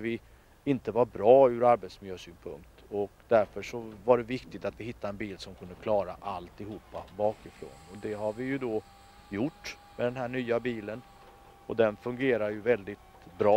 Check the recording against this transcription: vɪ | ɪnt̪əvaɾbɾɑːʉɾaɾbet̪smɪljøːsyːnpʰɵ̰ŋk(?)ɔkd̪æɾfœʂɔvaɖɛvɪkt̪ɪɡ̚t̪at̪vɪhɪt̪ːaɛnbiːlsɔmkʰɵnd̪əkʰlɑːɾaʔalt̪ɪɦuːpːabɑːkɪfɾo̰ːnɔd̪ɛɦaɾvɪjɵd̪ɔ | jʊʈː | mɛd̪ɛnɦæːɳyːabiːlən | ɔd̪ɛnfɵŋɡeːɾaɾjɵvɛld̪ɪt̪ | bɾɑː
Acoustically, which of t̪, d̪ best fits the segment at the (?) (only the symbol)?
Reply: t̪